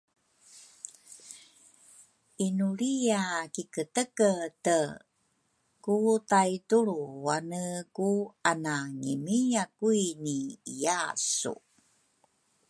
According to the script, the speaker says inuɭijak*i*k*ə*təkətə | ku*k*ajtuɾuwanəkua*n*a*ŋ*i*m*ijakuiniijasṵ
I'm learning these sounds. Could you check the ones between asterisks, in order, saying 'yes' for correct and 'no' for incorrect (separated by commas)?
yes, yes, no, yes, yes, yes